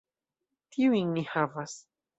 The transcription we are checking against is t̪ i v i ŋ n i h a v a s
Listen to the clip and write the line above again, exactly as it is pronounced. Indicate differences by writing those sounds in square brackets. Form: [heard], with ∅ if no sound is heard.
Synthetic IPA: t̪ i [w] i ŋ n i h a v a s